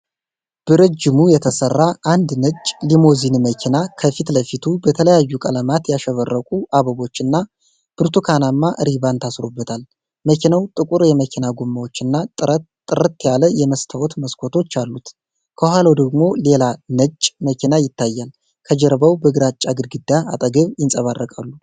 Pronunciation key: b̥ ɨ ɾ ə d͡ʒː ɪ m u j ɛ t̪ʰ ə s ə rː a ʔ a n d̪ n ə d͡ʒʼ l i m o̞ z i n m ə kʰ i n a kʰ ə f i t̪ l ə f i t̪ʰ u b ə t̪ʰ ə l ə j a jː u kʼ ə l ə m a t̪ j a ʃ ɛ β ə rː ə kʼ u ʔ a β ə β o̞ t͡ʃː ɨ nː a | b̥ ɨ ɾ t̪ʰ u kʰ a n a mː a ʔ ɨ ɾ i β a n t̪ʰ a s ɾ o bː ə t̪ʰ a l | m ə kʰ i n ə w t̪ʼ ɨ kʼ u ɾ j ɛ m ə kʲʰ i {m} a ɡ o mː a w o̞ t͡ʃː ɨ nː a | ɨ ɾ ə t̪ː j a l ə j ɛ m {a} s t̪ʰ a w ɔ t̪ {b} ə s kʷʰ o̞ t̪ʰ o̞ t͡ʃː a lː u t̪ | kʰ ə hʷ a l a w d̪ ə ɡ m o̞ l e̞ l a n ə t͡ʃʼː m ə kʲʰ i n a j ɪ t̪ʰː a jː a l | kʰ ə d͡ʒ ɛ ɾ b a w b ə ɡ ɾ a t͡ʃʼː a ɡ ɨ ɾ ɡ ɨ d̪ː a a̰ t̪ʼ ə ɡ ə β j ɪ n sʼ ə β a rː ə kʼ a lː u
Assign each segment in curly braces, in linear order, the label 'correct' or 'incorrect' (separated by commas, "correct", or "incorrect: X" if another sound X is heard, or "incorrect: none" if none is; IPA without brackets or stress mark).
incorrect: n, incorrect: ə, incorrect: m